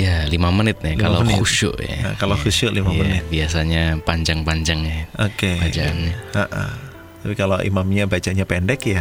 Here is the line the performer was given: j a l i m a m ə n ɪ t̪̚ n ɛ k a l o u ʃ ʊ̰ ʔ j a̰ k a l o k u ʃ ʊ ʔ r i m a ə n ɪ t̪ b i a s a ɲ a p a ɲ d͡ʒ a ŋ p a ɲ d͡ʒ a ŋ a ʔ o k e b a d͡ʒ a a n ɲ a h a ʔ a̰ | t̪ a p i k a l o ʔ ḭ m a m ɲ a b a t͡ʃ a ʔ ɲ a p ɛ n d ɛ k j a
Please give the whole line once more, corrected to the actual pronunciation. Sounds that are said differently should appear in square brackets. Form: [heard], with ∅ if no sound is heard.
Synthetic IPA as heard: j a l i m a m ə n ɪ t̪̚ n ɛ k a l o u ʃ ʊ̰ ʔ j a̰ k a l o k u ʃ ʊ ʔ [l] i m a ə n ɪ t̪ b i a s a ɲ a p a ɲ d͡ʒ a ŋ p a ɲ d͡ʒ a ŋ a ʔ o k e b a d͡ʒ a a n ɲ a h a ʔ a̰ | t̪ a p i k a l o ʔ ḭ m a m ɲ a b a t͡ʃ a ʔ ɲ a p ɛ n d ɛ k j a